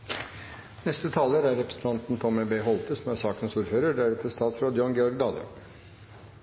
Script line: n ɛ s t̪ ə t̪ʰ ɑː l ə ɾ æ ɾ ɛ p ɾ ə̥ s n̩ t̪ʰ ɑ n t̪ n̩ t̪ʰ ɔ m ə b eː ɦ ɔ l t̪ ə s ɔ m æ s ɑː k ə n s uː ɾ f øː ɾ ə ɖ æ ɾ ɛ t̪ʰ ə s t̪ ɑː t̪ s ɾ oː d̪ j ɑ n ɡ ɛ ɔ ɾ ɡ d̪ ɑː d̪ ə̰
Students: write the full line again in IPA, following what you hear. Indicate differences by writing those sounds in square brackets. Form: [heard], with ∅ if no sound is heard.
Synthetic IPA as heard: n ɛ s t̪ ə t̪ʰ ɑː l ə ɾ æ ɾ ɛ p ɾ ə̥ s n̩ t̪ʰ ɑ n t̪ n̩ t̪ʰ ɔ m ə b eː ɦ ɔ l t̪ ə s ɔ m æ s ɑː k ə n s uː ɾ f øː ɾ ə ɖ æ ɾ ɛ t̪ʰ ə s t̪ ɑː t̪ s ɾ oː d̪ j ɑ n ɡ ɛ ɔ ɾ ɡ d̪ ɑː d̪ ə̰